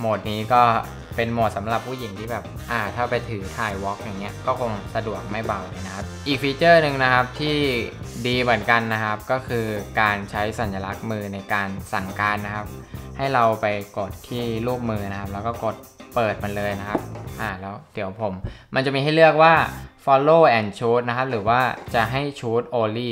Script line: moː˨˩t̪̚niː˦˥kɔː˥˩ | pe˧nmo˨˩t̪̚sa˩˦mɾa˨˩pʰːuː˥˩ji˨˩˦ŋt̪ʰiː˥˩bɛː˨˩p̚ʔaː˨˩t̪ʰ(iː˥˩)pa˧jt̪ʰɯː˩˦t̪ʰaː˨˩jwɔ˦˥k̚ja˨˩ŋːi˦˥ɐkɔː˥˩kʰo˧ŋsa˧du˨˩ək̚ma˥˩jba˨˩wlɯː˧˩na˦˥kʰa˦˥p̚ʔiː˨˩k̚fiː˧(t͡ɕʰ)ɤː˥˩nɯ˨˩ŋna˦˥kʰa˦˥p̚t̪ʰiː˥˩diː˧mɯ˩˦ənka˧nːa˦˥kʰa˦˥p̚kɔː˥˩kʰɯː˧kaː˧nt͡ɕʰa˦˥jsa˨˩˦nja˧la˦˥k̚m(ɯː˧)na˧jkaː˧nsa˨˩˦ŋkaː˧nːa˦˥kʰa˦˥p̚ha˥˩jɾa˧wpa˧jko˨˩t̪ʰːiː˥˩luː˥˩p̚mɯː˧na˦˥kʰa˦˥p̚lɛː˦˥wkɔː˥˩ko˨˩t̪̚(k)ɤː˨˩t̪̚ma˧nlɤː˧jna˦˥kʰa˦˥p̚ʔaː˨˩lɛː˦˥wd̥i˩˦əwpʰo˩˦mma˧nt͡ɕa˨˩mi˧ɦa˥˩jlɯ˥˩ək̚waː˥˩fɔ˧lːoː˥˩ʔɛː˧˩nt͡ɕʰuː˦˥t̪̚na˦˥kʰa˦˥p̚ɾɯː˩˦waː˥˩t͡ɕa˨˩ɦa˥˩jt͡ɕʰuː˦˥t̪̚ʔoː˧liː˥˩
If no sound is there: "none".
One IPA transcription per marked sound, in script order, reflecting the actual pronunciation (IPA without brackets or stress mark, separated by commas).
aː˥˩, t͡ɕ, ɯː˧, p